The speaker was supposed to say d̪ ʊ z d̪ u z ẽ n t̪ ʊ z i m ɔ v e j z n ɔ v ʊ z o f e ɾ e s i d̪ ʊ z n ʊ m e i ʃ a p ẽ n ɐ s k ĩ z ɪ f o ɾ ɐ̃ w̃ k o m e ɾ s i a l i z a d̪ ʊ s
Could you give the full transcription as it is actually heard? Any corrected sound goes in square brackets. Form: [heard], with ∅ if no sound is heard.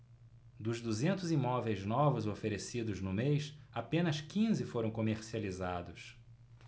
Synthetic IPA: d̪ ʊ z d̪ u z ẽ n t̪ ʊ z i m ɔ v e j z n ɔ v ʊ z o f e ɾ e s i d̪ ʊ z n ʊ m e [j] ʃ a p ẽ n ɐ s k ĩ z ɪ f o ɾ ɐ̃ w̃ k o m e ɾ s i a l i z a d̪ ʊ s